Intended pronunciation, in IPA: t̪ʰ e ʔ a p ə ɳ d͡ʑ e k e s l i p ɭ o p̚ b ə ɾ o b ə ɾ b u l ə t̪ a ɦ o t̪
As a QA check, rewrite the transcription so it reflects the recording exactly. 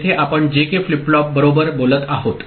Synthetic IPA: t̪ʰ e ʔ a p ə ɳ d͡ʑ e k e f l i p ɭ ɔ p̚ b ə ɾ o b ə ɾ b o l ə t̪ a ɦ o t̪